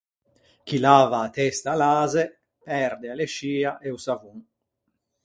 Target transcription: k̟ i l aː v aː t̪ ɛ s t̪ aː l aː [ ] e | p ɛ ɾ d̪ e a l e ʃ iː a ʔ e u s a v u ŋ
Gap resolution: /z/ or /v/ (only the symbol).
z